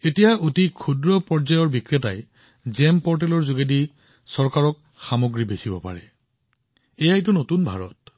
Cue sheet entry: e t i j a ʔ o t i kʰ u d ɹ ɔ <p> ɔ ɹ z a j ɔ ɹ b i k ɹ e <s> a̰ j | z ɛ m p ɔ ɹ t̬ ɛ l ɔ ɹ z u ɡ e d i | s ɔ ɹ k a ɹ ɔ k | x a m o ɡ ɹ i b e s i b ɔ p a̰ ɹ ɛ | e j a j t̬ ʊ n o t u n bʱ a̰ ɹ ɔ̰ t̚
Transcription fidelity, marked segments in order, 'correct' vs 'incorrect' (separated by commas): correct, incorrect